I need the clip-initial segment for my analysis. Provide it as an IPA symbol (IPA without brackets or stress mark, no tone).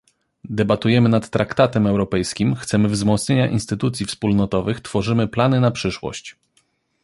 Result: d̪